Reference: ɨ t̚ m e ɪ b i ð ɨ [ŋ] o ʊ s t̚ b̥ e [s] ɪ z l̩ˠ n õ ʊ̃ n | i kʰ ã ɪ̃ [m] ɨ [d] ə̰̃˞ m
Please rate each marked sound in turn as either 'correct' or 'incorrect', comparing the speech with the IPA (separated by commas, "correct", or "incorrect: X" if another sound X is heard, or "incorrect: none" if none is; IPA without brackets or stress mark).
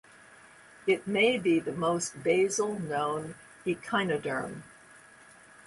incorrect: m, incorrect: none, incorrect: n, correct